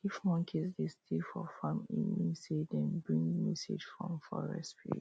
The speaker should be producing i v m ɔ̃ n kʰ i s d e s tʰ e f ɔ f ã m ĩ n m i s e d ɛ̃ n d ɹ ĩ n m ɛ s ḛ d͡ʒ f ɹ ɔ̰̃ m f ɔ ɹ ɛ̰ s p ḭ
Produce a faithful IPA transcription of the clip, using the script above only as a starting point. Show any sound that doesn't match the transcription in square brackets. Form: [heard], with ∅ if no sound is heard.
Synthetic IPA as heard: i [f] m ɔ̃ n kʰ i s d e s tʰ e f ɔ f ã m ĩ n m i s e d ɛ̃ n [b] ɹ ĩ [ŋ] m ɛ s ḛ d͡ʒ f ɹ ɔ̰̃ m f ɔ ɹ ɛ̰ s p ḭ